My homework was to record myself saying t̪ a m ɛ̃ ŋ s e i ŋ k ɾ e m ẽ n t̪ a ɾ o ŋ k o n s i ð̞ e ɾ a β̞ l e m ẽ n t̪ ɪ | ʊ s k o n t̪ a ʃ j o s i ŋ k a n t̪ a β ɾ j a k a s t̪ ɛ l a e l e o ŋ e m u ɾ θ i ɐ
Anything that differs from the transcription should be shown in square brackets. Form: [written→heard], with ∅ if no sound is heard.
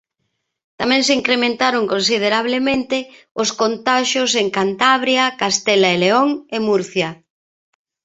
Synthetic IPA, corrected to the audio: t̪ a m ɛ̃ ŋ s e i ŋ k ɾ e m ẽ n t̪ a ɾ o ŋ k o n s i ð̞ e ɾ a β̞ l e m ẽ n t̪ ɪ | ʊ s k o n t̪ a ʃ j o s [i→e] ŋ k a n t̪ a β ɾ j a k a s t̪ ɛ l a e l e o ŋ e m u ɾ θ [i→j] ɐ